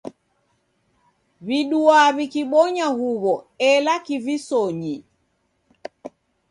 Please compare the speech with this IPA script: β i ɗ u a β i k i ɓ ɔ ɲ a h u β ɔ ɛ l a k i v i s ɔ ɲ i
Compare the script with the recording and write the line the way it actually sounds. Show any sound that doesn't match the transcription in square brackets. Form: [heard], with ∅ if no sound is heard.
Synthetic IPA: β i ɗ u a β i k i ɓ ɔ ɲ a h u β ɔ ɛ l a k i v i s ɔ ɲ i